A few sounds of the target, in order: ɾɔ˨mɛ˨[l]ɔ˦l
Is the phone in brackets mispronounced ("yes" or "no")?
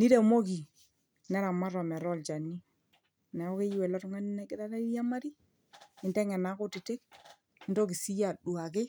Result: yes